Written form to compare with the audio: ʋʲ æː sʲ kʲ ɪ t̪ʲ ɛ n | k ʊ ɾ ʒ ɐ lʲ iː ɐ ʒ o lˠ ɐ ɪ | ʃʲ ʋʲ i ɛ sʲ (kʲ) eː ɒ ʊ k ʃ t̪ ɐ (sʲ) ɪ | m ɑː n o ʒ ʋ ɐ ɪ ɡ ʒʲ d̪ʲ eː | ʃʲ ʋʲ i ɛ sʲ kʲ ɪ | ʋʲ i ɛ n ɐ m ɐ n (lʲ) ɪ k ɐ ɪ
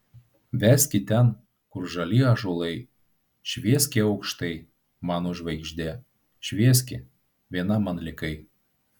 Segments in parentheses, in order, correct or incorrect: correct, incorrect: none, correct

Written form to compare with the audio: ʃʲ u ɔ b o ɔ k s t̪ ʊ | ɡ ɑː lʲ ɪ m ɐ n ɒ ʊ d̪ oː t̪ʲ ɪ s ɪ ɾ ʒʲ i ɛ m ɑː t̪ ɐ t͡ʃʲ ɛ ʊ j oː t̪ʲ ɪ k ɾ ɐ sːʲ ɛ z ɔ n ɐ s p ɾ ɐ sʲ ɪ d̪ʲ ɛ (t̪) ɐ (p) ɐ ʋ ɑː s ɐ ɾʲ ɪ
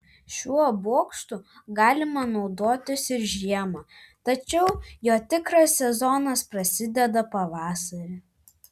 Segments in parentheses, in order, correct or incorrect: incorrect: d̪, correct

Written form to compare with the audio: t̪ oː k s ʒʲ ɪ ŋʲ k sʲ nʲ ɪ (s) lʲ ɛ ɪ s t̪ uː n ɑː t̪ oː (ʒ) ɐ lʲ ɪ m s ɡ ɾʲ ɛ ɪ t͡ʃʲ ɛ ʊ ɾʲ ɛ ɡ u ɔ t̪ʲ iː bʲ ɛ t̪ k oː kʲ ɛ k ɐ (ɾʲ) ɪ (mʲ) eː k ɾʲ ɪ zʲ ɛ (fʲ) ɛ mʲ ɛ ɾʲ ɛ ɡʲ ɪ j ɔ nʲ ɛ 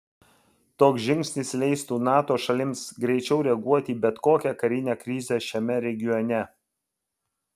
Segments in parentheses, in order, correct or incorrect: correct, incorrect: ʃ, correct, incorrect: nʲ, incorrect: ʃʲ

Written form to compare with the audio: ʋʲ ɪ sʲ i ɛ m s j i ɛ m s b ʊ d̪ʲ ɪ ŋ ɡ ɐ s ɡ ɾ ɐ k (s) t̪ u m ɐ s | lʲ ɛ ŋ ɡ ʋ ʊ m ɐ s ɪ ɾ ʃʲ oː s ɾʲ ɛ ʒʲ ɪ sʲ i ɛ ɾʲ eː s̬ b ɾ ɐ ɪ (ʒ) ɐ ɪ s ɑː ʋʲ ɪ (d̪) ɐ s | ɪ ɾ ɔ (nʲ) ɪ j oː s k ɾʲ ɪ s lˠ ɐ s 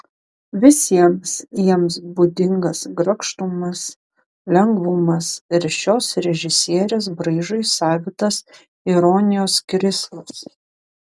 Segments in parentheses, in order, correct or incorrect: incorrect: ʃ, correct, incorrect: t̪, correct

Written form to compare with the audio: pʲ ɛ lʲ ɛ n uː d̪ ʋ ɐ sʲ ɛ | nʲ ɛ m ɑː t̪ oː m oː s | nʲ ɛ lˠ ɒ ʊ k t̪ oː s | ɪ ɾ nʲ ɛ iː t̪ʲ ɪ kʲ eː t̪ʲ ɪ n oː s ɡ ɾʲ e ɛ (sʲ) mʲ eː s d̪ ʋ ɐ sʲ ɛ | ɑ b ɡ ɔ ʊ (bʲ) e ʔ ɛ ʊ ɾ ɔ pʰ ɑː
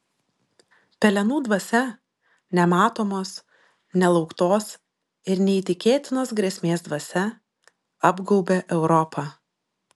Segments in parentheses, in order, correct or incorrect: correct, correct

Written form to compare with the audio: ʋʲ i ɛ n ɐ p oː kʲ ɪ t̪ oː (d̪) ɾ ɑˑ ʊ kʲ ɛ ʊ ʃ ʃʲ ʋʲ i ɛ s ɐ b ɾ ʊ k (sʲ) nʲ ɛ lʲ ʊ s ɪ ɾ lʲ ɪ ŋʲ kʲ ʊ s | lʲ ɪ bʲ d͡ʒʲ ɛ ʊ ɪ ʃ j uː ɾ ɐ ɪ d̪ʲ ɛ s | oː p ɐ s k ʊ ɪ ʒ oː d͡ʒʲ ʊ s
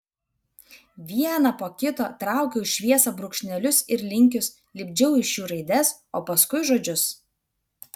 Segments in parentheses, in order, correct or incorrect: incorrect: t̪, incorrect: ʃʲ

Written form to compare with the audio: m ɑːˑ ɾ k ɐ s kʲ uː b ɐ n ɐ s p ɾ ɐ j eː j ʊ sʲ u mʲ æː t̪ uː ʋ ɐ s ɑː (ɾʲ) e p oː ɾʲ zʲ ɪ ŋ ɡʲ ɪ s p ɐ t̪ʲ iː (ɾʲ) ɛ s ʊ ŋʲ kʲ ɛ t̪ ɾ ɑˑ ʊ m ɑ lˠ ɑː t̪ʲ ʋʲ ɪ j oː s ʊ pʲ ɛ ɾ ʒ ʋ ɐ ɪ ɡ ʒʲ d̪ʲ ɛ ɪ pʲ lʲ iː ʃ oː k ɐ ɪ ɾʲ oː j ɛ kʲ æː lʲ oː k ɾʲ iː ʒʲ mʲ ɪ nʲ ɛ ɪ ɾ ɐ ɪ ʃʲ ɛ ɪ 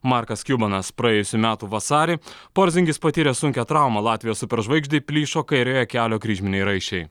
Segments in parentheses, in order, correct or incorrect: correct, correct

